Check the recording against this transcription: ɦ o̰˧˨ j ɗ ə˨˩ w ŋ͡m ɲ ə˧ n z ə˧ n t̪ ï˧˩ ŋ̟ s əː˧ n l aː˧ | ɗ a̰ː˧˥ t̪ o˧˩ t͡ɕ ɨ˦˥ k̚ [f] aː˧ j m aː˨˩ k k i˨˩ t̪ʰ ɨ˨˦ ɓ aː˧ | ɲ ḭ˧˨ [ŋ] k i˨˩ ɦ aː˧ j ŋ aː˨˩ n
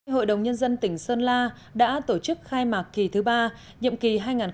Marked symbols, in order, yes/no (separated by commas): no, no